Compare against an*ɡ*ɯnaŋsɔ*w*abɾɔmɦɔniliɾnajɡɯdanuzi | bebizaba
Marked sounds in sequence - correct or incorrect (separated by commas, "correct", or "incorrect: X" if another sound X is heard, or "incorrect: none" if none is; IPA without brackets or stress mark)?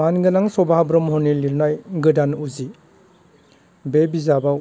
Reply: correct, incorrect: b